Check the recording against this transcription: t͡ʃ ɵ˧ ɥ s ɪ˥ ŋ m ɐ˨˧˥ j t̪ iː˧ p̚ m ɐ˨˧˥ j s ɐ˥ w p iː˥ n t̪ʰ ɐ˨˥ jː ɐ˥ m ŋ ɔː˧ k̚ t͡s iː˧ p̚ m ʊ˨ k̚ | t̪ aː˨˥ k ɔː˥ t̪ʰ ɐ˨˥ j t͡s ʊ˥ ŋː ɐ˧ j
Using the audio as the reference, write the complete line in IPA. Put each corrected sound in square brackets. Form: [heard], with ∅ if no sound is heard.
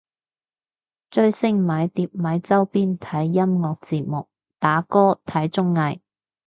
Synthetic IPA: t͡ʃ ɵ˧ ɥ s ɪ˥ ŋ m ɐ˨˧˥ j t̪ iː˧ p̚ m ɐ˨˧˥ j [t͡s] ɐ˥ w p iː˥ n t̪ʰ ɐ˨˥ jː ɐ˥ m ŋ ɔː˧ k̚ t͡s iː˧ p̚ m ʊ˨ k̚ | t̪ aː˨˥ k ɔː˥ t̪ʰ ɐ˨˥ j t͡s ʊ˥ ŋː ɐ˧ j